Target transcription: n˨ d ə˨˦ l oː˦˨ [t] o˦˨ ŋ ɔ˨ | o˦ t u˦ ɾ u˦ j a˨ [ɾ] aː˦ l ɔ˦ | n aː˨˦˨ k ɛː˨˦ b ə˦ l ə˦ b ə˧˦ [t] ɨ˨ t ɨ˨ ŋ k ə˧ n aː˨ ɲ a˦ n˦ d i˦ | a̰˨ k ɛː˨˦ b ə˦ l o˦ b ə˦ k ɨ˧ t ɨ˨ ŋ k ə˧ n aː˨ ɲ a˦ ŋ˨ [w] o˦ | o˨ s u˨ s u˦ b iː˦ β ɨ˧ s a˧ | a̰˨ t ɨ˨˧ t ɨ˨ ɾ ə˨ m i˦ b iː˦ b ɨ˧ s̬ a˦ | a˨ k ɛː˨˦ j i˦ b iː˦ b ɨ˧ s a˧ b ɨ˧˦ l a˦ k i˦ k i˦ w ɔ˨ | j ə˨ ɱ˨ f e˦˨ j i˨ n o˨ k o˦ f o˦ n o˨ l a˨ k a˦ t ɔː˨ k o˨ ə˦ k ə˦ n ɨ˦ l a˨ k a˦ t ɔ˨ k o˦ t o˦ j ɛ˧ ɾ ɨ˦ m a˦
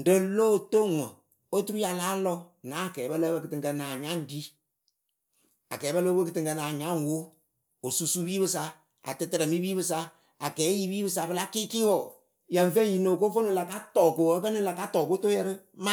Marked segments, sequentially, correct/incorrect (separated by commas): correct, incorrect, incorrect, correct